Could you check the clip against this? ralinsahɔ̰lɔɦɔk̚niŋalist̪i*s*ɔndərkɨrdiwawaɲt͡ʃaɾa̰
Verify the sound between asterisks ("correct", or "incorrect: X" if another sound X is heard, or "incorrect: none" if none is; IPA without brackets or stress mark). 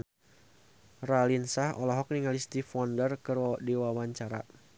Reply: incorrect: f